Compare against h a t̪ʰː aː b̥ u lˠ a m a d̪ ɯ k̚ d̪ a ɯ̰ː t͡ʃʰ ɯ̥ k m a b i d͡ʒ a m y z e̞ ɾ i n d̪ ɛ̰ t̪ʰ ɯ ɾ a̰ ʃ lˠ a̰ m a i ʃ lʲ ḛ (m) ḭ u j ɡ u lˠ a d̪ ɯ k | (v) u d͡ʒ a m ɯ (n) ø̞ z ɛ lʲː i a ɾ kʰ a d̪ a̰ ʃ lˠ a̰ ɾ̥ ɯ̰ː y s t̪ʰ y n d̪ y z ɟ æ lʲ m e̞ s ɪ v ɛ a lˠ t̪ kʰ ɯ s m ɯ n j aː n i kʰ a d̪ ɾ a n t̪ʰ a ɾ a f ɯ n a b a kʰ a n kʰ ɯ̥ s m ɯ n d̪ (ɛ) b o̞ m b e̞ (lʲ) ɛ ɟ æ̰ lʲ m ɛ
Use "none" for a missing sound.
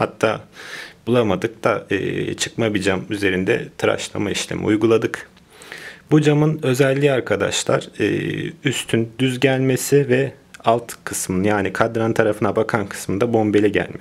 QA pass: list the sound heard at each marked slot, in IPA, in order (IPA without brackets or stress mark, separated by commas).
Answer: m, b, n, a, lʲ